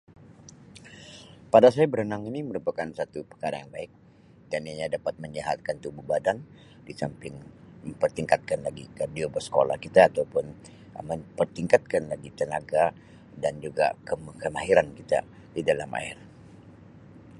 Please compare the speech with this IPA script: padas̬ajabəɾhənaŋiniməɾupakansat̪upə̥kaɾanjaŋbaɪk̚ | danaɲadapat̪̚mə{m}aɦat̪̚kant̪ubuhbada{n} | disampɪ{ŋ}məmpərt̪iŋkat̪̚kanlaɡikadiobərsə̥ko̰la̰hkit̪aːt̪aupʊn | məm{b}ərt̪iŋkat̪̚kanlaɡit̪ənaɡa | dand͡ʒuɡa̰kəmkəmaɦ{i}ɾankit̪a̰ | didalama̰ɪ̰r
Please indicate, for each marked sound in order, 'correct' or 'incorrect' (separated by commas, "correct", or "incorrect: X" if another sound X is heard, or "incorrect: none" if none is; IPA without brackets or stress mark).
incorrect: ɲ, correct, correct, incorrect: p, correct